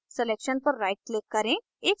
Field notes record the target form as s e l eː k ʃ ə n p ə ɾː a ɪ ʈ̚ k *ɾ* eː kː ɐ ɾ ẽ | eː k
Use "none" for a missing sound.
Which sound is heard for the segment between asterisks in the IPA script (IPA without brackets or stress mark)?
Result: l